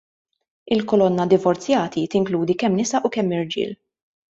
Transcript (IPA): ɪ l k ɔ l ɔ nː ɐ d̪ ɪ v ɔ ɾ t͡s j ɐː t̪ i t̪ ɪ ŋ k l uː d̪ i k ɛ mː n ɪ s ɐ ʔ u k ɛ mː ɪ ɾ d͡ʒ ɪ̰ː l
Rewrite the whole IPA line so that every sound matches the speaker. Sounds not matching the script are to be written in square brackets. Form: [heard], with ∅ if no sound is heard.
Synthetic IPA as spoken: ɪ l k ɔ l ɔ nː ɐ d̪ ɪ v ɔ ɾ t͡s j ɐː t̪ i t̪ ɪ ŋ k l uː d̪ i k ɛ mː n ɪ s ɐ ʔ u k ɛ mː ɪ ɾ d͡ʒ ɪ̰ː l